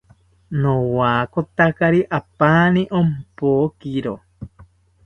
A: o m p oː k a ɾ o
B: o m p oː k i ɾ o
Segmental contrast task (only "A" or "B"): B